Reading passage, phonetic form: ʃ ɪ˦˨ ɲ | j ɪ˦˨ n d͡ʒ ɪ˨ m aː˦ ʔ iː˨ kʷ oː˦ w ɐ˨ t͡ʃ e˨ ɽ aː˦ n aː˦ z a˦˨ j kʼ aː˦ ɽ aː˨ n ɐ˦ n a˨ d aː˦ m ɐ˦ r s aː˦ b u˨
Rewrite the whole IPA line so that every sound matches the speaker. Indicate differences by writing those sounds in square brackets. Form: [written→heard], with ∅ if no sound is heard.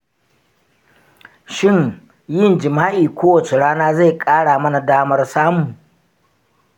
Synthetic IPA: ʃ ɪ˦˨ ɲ | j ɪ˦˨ n d͡ʒ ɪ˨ m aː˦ ʔ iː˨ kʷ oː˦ w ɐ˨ t͡ʃ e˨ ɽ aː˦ n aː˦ z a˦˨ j kʼ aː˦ ɽ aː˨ [n→m] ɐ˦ n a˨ d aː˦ m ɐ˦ r s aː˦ [b→m] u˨